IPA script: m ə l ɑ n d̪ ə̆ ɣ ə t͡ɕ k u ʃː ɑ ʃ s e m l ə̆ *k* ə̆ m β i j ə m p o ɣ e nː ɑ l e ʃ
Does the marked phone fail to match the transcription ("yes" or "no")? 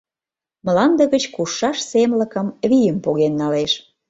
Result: no